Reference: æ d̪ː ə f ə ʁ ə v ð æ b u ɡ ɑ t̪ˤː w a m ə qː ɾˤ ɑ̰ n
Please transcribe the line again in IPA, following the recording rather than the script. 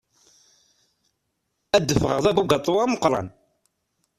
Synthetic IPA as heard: æ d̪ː ə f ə ʁ ə ʁ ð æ b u ɡ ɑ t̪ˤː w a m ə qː ɾˤ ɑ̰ n